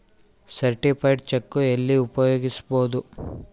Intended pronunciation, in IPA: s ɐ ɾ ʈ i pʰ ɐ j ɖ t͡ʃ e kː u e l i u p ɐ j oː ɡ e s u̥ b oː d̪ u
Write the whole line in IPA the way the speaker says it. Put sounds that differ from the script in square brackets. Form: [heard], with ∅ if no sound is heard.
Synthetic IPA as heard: s ɐ ɾ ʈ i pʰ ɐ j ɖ t͡ʃ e kː u e [lː] i u p ɐ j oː ɡ [i] s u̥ b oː d̪ u